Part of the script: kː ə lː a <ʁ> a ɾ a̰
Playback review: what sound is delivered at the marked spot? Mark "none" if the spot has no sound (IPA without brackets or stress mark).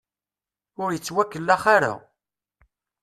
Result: χ